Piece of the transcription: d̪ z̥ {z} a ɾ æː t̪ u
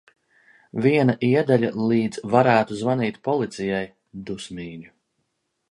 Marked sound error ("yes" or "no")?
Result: yes